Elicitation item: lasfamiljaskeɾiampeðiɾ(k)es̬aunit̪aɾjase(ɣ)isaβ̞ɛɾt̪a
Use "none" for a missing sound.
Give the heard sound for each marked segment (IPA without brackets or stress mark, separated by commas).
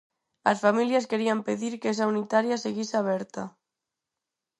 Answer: k, ɣ